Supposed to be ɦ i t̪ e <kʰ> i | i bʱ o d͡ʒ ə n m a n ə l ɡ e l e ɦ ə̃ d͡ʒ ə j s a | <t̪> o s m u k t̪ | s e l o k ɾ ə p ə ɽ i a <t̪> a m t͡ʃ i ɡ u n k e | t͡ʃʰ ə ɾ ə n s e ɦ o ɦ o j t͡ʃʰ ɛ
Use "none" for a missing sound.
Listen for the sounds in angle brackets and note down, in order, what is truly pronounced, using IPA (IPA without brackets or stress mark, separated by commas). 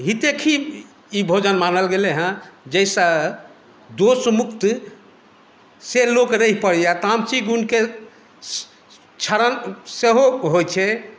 kʰ, d̪, t̪